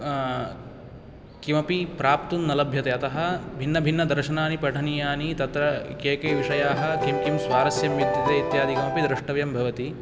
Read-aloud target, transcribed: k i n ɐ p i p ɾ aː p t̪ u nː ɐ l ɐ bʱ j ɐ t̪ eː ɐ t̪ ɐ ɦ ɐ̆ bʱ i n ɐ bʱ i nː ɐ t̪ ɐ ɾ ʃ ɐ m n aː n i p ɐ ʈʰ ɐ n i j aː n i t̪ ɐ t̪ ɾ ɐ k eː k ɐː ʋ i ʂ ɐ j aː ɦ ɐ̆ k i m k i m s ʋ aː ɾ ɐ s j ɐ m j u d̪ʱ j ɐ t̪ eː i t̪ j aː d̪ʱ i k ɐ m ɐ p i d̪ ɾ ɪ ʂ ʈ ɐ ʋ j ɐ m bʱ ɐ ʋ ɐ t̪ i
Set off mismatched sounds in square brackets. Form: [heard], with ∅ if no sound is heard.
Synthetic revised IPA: k i [m] ɐ p i p ɾ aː p t̪ u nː ɐ l ɐ bʱ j ɐ t̪ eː ɐ t̪ ɐ ɦ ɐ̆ bʱ i [nː] ɐ bʱ i nː ɐ [d̪] ɐ ɾ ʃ ɐ [∅] n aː n i p ɐ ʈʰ ɐ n i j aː n i t̪ ɐ t̪ ɾ ɐ k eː k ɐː ʋ i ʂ ɐ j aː ɦ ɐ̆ k i m k i m s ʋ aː ɾ ɐ s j ɐ m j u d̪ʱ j ɐ t̪ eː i t̪ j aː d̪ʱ i k ɐ m ɐ p i d̪ ɾ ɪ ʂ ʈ ɐ ʋ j ɐ m bʱ ɐ ʋ ɐ t̪ i